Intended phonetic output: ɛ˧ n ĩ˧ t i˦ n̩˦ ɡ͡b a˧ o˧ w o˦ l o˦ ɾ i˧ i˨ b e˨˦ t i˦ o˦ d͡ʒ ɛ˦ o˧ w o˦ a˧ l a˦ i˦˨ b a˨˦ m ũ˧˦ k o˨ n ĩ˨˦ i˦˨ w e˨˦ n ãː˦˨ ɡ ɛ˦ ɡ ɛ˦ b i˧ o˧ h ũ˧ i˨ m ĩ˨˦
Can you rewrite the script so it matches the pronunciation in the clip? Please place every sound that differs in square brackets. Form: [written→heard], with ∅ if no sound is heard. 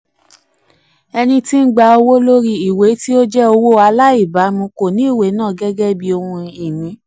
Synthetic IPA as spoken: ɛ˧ n ĩ˧ t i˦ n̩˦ ɡ͡b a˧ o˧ w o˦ l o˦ ɾ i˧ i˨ [b→w] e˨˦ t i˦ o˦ d͡ʒ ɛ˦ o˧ w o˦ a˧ l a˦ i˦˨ b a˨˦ m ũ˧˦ k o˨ n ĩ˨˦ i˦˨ w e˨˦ n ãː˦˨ ɡ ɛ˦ ɡ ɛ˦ b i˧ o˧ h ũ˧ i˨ m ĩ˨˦